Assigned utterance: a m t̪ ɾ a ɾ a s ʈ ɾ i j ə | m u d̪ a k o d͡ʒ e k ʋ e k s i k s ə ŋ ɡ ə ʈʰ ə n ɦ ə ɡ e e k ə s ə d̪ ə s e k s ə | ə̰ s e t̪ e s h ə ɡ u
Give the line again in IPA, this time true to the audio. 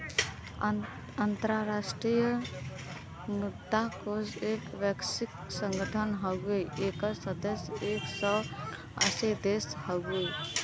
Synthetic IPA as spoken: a n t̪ ɾ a ɾ a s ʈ ɾ i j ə | m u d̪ a k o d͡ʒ e k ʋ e k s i k s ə ŋ ɡ ə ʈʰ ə n ɦ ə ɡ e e k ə s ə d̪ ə s e k s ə | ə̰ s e d̪ e s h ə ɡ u